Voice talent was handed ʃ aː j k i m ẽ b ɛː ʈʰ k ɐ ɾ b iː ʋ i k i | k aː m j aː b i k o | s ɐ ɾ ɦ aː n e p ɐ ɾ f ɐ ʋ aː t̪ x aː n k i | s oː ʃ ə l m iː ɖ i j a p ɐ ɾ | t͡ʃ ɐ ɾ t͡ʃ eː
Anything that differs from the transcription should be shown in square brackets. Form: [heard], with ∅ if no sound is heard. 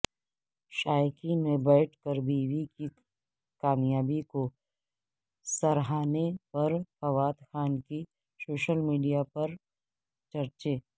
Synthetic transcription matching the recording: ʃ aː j k i m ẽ b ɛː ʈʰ k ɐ ɾ b iː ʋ i k i | k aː m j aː b i k o | s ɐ ɾ ɦ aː n e p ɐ ɾ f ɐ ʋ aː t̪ x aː n k i | s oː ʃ ə l m iː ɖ i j a p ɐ ɾ | t͡ʃ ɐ ɾ t͡ʃ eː